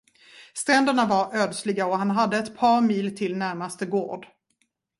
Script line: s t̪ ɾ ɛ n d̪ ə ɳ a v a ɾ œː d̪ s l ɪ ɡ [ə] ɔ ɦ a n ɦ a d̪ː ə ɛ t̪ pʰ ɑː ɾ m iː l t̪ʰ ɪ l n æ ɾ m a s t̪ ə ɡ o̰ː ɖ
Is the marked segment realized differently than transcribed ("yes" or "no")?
yes